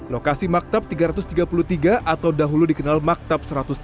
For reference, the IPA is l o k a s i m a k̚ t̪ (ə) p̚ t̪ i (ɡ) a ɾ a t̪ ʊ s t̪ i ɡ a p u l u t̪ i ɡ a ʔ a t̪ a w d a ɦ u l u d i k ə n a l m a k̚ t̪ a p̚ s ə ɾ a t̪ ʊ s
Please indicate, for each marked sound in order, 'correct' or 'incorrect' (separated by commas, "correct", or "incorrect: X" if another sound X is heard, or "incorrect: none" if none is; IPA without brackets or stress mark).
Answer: incorrect: a, correct